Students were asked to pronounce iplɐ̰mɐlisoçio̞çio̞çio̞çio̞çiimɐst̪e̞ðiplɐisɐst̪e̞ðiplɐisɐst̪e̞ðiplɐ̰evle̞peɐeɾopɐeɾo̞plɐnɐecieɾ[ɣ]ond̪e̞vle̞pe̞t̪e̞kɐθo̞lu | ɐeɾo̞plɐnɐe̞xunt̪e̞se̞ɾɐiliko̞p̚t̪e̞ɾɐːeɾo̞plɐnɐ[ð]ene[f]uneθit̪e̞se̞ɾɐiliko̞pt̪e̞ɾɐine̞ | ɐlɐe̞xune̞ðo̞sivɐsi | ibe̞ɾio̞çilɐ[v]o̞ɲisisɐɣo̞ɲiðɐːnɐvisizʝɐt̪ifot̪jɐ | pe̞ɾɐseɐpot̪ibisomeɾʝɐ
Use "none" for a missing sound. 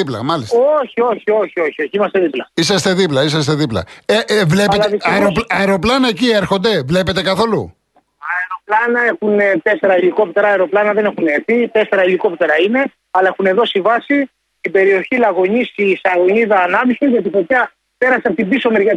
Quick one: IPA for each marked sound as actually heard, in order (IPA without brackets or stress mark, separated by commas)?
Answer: x, ð, x, ɣ